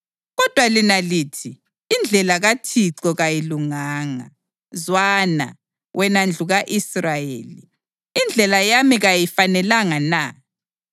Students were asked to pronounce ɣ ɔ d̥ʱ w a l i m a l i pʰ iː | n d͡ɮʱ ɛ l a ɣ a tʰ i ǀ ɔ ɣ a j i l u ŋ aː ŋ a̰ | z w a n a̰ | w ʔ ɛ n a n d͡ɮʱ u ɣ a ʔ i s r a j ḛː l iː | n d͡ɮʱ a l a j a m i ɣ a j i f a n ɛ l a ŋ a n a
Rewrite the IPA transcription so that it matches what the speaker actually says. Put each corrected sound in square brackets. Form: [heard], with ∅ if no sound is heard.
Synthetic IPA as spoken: ɣ ɔ d̥ʱ w a l i [n] a l i [tʰ] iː | n d͡ɮʱ ɛ l a ɣ a tʰ i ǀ ɔ ɣ a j i l u ŋ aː ŋ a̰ | z w a n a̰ | w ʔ ɛ n a n d͡ɮʱ u ɣ a ʔ i s r a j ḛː l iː | n d͡ɮʱ [ɛ] l a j a m i ɣ a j i f a n ɛ l a ŋ a n a